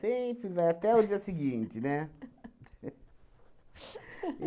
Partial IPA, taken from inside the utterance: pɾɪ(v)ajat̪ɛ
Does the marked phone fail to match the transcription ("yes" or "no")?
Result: no